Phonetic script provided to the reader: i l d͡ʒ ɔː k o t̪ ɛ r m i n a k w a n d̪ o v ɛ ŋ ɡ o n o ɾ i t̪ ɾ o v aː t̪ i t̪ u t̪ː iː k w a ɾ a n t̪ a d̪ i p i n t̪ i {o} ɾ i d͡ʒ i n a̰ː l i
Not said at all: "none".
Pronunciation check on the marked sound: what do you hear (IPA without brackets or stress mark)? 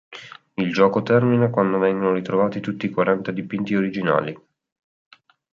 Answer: o